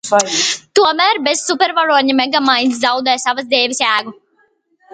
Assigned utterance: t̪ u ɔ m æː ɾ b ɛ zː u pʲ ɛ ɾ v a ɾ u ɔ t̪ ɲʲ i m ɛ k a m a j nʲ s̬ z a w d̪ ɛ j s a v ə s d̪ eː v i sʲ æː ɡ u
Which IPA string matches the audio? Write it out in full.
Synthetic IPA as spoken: t̪ u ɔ m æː ɾ b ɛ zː u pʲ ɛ ɾ v a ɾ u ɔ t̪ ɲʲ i m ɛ ɡ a m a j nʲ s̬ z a w d̪ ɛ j s a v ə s d̪ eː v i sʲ æː ɡ u